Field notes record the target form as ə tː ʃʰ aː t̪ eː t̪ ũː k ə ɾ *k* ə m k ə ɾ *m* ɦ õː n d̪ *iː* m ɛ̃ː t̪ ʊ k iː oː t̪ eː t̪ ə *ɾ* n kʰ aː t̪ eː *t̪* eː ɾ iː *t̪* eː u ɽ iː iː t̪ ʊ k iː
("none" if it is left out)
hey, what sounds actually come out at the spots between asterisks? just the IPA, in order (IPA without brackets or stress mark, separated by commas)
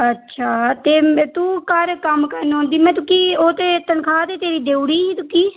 k, n, iː, none, t̪, d̪